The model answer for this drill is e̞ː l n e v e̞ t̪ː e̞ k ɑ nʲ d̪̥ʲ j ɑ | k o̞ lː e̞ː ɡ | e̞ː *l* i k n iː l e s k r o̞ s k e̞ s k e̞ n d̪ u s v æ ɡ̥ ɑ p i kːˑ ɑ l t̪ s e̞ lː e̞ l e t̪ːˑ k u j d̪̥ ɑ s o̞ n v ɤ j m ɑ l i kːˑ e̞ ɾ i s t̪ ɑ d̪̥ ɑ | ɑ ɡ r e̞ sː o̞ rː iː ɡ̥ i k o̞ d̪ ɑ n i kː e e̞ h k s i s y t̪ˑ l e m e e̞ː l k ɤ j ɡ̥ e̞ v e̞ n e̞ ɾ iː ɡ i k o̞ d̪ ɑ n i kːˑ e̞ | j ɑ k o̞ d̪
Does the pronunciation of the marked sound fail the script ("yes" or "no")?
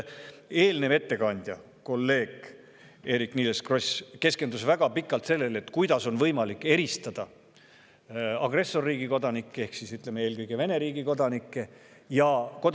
yes